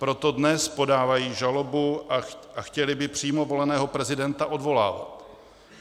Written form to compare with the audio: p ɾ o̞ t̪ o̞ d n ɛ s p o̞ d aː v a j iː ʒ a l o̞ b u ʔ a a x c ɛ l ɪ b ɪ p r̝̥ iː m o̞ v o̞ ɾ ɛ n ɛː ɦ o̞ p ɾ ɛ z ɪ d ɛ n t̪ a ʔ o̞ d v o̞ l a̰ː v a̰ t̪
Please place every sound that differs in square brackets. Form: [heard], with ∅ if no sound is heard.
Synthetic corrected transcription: p ɾ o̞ t̪ o̞ d n ɛ s p o̞ d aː v a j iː ʒ a l o̞ b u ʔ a a x c ɛ l ɪ b ɪ p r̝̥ iː m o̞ v o̞ [l] ɛ n ɛː ɦ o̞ p ɾ ɛ z ɪ d ɛ n t̪ a ʔ o̞ d v o̞ l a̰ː v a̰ t̪